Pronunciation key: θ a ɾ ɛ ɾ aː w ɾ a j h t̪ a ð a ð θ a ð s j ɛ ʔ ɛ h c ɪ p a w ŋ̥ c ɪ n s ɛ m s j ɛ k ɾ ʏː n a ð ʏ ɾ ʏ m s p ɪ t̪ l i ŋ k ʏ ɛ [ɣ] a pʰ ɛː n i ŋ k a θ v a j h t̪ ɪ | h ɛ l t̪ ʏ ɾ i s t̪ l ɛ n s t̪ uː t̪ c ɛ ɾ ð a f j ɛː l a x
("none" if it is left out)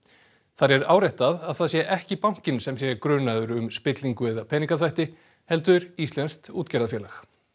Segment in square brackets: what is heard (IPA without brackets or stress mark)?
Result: ð